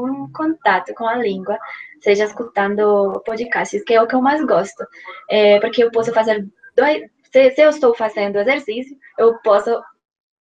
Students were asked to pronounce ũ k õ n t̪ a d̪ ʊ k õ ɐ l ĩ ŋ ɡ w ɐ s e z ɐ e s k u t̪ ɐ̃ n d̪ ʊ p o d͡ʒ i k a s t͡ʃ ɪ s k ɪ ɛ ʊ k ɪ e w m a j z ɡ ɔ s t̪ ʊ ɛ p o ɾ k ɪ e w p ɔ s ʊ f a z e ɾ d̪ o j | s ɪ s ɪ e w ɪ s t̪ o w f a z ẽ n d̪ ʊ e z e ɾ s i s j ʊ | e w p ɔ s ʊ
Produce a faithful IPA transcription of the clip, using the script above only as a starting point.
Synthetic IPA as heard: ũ k õ n t̪ a t̪ ʊ k õ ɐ l ĩ ŋ ɡ w ɐ s e ʒ ɐ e s k u t̪ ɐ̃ n d̪ ʊ p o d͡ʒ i k a s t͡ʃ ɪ s k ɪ ɛ ʊ k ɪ e w m a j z ɡ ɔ s t̪ ʊ ɛ p o ɾ k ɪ e w p ɔ s ʊ f a z e ɾ d̪ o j | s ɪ s ɪ e w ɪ s t̪ o w f a z ẽ n d̪ ʊ e z e ɾ s i s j ʊ | e w p ɔ s ʊ